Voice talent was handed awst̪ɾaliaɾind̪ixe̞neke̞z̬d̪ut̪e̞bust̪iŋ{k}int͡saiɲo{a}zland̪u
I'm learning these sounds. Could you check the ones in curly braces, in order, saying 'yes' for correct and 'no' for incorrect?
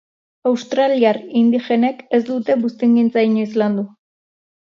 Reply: no, no

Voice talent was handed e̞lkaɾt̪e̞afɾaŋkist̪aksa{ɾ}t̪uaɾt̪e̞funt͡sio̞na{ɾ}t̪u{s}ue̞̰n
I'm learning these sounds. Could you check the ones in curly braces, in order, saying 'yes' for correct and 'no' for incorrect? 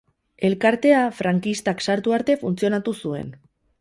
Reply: yes, no, yes

